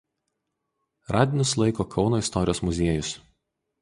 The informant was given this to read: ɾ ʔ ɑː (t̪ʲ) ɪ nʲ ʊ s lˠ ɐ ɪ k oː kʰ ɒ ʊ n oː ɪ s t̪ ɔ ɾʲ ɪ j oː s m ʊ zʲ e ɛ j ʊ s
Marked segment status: incorrect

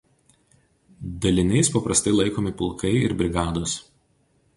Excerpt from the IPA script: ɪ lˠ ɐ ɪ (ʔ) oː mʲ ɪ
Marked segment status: incorrect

